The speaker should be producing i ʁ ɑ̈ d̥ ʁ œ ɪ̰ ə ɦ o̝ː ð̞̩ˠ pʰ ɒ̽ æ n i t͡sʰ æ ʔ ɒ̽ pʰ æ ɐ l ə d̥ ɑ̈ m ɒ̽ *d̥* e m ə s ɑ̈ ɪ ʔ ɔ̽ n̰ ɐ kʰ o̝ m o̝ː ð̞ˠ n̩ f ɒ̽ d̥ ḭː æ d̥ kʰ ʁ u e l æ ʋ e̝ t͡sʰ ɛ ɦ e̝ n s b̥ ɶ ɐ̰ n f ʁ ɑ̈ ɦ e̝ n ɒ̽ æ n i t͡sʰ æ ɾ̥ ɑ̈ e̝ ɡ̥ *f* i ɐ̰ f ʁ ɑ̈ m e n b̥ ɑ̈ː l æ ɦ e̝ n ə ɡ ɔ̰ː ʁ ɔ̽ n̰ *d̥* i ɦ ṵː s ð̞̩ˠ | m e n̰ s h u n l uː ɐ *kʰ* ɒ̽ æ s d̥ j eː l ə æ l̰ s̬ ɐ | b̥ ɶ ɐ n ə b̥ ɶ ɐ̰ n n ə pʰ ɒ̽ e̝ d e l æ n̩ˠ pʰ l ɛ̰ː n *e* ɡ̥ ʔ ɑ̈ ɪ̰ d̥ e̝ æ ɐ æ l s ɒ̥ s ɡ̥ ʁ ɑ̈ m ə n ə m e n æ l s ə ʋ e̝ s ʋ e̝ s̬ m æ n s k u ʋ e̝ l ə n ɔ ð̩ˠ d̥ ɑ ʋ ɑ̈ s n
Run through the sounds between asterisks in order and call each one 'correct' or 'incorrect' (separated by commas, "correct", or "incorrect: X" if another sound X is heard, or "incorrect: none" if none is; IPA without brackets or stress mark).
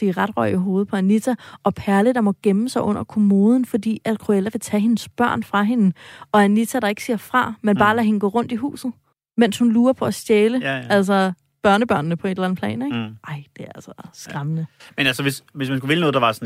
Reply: incorrect: ɡ̥, incorrect: s, correct, incorrect: pʰ, correct